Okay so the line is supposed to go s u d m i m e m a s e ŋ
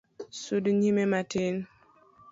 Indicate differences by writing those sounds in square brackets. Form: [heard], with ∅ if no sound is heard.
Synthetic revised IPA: s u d [ɲ] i m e m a [t] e [n]